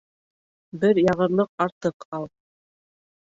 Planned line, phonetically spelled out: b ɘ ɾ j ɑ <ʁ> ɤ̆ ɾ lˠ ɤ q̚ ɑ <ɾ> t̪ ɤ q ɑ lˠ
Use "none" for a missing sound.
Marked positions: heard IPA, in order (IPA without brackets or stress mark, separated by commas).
ʁ, ɾ